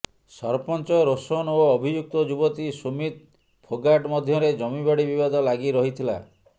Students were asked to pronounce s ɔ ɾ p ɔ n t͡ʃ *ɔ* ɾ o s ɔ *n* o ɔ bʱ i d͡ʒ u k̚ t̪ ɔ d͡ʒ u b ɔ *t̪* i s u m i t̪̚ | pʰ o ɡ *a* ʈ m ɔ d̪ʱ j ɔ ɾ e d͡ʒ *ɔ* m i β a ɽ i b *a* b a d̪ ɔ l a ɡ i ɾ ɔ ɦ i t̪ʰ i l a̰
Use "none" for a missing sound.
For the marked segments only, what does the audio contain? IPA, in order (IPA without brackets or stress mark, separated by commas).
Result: ɔ, n, t̪, a, ɔ, i